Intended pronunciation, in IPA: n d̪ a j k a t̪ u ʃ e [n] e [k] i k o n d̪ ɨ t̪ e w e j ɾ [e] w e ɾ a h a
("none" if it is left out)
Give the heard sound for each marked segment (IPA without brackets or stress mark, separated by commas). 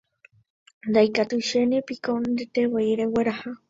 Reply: n, p, e